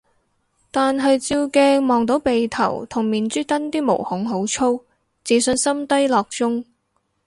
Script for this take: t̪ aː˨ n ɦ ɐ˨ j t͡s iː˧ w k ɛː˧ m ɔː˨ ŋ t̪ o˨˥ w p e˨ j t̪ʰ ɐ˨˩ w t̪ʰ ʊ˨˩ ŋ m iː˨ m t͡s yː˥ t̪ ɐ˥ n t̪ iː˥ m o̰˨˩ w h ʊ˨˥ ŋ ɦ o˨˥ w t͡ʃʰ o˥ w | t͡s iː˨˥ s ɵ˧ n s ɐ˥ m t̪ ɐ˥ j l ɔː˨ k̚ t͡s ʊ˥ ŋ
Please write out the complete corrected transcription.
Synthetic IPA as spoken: t̪ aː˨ n ɦ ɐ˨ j t͡s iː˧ w k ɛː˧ m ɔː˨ ŋ t̪ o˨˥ w p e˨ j t̪ʰ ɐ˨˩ w t̪ʰ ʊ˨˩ ŋ m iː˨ n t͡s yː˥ t̪ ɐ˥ n t̪ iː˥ m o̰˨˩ w h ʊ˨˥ ŋ ɦ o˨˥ w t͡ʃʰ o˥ w | t͡s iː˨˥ s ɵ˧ n s ɐ˥ m t̪ ɐ˥ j l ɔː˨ k̚ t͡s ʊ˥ ŋ